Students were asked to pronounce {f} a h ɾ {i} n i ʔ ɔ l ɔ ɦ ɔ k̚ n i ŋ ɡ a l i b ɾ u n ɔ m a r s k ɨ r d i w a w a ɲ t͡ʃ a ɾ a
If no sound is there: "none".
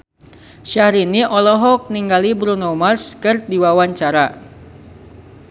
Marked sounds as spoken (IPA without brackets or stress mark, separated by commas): ʃ, i